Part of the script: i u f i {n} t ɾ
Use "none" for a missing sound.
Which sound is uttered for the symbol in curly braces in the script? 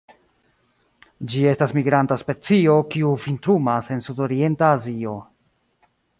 n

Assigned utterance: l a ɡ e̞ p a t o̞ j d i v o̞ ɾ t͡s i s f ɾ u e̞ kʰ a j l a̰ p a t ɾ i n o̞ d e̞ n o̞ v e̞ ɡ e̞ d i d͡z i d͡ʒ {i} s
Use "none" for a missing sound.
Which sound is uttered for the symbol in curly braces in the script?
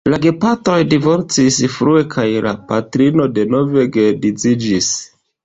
i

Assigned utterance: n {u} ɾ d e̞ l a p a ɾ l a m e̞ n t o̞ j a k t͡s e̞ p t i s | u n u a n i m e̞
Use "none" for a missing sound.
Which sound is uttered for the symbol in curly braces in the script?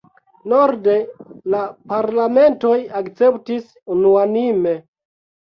o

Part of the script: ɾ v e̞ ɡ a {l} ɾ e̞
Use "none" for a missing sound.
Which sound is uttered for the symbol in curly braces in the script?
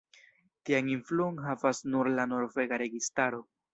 none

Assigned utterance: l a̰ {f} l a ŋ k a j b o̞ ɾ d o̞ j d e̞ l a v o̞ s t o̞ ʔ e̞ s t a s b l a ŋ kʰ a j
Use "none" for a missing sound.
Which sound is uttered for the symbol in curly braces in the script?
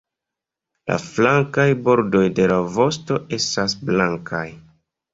f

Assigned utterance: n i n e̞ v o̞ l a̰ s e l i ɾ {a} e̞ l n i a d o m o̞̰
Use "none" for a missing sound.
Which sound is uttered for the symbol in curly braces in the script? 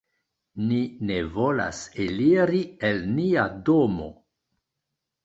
i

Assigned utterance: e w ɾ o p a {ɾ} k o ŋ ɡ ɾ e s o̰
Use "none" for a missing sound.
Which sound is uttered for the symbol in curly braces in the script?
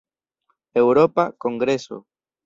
none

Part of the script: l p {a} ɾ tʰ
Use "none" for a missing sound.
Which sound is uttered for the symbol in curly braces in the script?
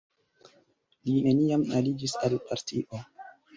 a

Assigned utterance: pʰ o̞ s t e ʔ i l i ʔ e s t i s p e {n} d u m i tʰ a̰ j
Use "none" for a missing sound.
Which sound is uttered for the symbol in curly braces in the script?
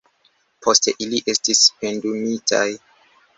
n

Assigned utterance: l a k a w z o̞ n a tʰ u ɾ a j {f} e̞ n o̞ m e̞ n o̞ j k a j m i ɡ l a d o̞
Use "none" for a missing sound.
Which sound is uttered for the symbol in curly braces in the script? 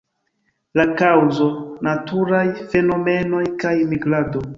f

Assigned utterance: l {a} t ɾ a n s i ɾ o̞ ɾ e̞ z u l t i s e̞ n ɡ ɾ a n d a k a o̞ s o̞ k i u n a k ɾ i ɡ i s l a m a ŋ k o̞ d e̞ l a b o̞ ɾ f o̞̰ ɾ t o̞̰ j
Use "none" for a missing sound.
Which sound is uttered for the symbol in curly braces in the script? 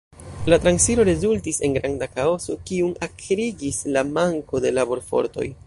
a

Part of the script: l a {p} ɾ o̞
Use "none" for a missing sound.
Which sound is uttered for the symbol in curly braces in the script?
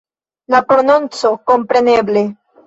p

